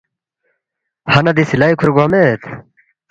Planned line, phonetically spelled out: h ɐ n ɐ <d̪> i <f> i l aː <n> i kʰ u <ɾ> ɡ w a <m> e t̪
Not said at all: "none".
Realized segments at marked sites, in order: d̪, s, none, ɾ, m

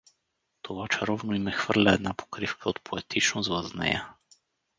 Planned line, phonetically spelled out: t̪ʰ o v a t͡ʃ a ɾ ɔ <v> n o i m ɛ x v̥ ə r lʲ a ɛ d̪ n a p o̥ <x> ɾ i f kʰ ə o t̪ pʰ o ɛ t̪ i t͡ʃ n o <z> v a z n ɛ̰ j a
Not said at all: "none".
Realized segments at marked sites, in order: v, k, z

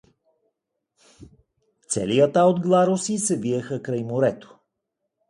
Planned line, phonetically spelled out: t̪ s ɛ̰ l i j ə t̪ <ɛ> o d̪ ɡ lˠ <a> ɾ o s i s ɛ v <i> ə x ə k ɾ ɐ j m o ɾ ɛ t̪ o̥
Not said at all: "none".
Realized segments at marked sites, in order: a, a, i

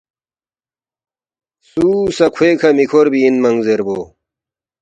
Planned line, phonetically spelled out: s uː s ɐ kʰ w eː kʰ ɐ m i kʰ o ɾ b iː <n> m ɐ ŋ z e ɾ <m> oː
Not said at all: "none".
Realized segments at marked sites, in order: n, b

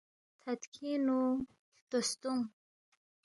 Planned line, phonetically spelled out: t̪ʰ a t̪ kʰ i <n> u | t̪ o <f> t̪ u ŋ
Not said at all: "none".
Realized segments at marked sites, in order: n, s

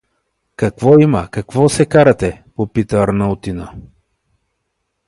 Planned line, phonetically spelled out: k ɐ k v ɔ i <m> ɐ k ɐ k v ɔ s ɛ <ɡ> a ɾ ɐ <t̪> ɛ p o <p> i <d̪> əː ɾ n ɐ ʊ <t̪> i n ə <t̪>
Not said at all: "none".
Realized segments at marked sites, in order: m, k, t̪, p, t̪, t̪, none

